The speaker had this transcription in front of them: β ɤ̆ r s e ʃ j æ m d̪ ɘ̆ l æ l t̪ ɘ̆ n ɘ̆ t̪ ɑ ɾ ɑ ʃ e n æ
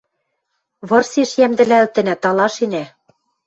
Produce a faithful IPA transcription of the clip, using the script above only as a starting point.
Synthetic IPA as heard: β ɤ̆ r s e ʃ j æ m d̪ ɘ̆ l æ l t̪ ɘ̆ n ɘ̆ t̪ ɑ l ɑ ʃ e n æ